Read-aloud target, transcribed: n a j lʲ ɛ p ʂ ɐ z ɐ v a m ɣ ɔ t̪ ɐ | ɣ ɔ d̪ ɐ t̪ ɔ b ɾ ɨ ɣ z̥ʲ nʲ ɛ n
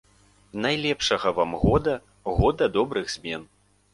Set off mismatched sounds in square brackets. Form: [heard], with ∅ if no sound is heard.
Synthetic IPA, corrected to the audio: n a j lʲ ɛ p ʂ ɐ [ɣ] ɐ v a m ɣ ɔ [d̪] ɐ | ɣ ɔ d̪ ɐ [d̪] ɔ b ɾ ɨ ɣ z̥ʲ [mʲ] ɛ n